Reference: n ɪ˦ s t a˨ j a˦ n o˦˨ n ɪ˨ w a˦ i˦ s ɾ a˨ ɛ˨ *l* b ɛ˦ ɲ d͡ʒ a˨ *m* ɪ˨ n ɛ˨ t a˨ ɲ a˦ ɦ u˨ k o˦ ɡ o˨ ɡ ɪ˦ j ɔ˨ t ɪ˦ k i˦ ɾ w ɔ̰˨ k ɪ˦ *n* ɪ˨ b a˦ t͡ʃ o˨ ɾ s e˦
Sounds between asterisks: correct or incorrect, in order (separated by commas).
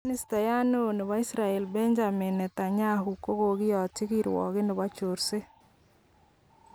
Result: correct, correct, correct